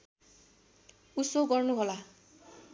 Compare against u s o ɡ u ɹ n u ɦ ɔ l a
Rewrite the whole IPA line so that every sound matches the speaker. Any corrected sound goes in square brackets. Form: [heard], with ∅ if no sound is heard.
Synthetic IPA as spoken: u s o ɡ [ɔ] ɹ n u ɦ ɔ l a